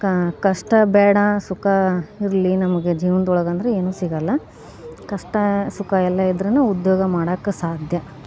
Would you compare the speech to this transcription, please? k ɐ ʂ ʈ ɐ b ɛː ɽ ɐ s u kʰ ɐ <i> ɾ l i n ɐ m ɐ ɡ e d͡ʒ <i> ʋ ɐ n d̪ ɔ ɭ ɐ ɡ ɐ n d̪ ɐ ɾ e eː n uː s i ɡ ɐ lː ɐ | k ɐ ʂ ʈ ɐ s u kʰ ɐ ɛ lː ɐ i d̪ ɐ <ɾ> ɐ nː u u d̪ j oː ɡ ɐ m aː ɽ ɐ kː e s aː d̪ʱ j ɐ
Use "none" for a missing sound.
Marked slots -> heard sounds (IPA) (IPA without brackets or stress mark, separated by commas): i, iː, ɾ